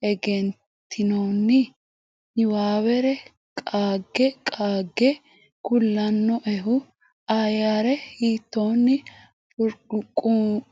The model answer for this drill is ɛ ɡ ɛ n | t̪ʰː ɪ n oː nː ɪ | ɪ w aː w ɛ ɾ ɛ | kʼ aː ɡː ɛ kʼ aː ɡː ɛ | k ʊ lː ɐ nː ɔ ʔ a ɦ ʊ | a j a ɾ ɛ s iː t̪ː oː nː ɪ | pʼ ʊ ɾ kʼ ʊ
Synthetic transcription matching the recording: ɛ ɡ ɛ n | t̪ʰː ɪ n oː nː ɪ | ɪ w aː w ɛ ɾ ɛ | kʼ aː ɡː ɛ kʼ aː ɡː ɛ | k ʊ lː ɐ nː ɔ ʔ ɛ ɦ ʊ | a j a ɾ ɛ h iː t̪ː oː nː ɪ | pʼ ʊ ɾ kʼ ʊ